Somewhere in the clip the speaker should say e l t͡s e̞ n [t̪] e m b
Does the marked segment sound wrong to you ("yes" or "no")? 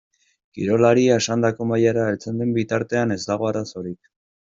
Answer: yes